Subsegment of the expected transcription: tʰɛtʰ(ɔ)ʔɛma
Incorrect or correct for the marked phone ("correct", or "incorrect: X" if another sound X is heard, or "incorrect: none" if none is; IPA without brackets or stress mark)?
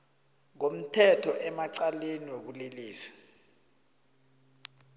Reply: correct